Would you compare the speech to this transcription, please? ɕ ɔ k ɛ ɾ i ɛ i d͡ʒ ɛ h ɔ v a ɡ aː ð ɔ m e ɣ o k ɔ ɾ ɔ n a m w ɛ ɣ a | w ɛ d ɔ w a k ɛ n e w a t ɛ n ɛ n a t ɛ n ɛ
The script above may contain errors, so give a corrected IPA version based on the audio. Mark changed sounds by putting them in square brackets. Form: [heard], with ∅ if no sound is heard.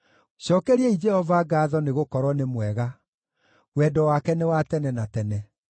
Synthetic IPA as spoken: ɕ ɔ k ɛ ɾ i ɛ i d͡ʒ ɛ h ɔ v a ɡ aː ð ɔ [n] e ɣ o k ɔ ɾ ɔ n [e] m w ɛ ɣ a | w ɛ d ɔ w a k ɛ n e w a t ɛ n ɛ n a t ɛ n ɛ